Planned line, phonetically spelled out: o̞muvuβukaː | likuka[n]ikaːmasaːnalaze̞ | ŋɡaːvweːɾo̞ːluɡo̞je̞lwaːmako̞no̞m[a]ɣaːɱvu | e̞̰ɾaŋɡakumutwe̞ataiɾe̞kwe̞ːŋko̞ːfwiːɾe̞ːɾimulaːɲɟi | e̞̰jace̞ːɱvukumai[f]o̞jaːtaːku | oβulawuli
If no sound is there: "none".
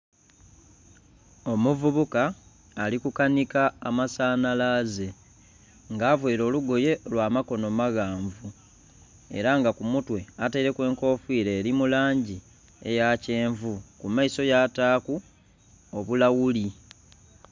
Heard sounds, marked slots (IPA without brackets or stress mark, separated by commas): n, a, s